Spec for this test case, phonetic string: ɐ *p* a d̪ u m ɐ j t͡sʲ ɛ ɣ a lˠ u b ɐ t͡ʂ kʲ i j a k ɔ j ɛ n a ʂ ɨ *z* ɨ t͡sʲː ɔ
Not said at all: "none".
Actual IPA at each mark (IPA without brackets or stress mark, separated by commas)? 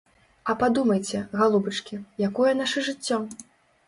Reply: p, ʐ